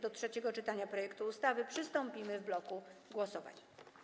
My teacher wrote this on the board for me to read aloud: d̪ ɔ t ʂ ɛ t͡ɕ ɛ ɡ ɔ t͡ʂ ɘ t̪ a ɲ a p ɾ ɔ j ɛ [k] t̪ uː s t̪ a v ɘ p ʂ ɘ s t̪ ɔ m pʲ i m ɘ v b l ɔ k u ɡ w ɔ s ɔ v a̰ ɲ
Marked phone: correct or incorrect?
correct